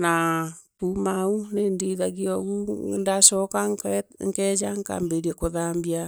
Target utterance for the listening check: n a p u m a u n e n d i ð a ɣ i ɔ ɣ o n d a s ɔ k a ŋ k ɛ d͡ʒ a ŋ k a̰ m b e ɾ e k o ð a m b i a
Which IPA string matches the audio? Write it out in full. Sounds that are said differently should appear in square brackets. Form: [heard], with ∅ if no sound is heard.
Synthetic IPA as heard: n a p u m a u n e n d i ð a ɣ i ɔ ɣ [u] n d a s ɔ k a ŋ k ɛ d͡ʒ a ŋ k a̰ m b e ɾ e k o ð a m b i a